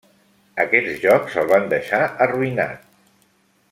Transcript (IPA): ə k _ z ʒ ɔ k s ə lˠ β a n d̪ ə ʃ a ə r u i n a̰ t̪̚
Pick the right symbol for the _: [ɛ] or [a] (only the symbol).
ɛ